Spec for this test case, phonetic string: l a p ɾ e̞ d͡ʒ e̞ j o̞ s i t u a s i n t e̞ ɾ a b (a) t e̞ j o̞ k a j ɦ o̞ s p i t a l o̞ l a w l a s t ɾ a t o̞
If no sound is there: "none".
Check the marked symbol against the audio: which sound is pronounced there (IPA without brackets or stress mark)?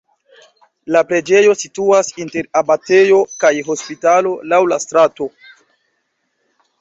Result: a